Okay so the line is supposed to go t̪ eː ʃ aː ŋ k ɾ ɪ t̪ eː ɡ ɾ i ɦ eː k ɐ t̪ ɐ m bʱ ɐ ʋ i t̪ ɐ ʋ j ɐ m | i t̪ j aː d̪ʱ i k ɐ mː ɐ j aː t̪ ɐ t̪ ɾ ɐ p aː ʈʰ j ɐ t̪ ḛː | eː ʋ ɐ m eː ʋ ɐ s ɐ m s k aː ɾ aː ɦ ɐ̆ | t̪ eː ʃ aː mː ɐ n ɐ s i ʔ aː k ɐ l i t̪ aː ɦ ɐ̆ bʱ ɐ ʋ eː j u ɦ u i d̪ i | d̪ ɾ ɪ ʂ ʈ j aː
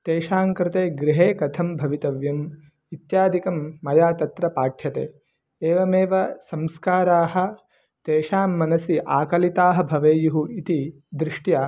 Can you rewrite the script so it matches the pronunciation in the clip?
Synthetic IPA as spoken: t̪ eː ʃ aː ŋ k ɾ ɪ t̪ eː ɡ ɾ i ɦ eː k ɐ t̪ʰ ɐ m bʱ ɐ ʋ i t̪ ɐ ʋ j ɐ m | i t̪ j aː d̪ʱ i k ɐ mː ɐ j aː t̪ ɐ t̪ ɾ ɐ p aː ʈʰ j ɐ t̪ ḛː | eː ʋ ɐ m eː ʋ ɐ s ɐ m s k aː ɾ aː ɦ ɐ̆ | t̪ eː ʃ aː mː ɐ n ɐ s i ʔ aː k ɐ l i t̪ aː ɦ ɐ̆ bʱ ɐ ʋ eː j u ɦ u i t̪ i | d̪ ɾ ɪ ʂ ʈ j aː